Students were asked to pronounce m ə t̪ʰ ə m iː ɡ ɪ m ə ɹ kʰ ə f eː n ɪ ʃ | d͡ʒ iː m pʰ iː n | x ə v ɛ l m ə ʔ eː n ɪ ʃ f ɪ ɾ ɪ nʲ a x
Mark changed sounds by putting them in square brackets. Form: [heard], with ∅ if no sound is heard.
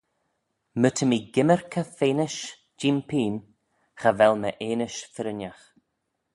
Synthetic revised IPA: m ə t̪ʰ ə m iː ɡ ɪ m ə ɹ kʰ ə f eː n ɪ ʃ | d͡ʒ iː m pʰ iː n | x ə v ɛ l m ə ʔ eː n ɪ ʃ f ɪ ɾ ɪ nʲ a x